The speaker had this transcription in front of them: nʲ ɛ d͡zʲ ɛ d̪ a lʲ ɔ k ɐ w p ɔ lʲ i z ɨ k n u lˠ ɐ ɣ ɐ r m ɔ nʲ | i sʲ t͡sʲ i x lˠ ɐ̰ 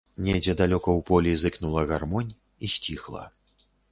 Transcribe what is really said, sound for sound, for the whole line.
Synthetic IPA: nʲ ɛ d͡zʲ ɛ d̪ a lʲ ɔ k ɐ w p ɔ lʲ i z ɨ k n u lˠ ɐ ɣ a r m ɔ nʲ | i sʲ t͡sʲ i x lˠ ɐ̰